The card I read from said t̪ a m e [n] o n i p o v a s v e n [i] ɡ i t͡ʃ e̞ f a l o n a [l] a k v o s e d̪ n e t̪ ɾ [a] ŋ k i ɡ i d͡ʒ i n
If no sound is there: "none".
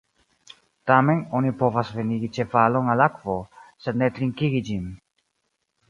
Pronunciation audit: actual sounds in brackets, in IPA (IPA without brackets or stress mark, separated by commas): n, i, l, i